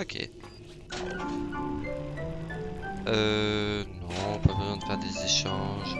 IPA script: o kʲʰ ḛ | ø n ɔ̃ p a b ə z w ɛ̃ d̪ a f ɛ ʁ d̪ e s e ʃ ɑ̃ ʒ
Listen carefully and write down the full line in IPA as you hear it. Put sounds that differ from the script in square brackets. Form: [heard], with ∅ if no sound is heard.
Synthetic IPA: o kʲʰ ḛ | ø n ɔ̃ p a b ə z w ɛ̃ d̪ [ə] f ɛ ʁ d̪ e [z] e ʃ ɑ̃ ʒ